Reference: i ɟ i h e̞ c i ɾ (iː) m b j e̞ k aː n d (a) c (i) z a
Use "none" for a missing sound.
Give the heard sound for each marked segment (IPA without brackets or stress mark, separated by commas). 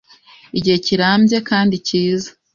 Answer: aː, i, iː